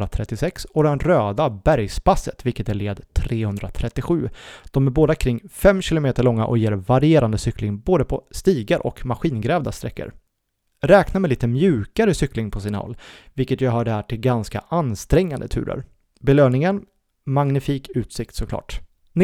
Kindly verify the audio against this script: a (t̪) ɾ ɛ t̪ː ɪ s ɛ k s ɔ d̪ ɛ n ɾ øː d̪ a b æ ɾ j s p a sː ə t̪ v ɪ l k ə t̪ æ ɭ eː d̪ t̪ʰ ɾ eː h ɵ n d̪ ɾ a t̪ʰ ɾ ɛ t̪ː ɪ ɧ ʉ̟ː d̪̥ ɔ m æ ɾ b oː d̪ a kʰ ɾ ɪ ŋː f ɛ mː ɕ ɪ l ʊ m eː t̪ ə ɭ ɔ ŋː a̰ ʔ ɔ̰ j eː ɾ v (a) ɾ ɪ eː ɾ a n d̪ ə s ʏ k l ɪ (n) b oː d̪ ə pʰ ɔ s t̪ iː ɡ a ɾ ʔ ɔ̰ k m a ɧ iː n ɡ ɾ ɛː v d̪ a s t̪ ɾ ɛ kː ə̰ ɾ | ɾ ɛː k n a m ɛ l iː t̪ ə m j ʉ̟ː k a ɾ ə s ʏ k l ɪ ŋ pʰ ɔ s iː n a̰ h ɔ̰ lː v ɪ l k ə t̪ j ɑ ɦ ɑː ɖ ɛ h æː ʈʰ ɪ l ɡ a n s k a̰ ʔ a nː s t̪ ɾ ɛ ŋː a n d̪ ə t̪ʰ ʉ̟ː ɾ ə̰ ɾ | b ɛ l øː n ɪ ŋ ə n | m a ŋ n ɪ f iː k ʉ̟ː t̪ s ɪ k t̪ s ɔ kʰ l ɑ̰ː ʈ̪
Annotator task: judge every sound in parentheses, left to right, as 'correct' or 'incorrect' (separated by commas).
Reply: incorrect, correct, incorrect